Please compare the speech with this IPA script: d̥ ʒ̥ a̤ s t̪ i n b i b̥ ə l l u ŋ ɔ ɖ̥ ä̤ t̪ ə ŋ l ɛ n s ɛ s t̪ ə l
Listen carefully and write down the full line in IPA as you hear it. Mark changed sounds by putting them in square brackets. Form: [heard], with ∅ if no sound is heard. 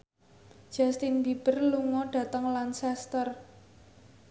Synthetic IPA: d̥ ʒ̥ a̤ s t̪ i n b i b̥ ə [r] l u ŋ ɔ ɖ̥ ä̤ t̪ ə ŋ l [a] n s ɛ s t̪ ə [r]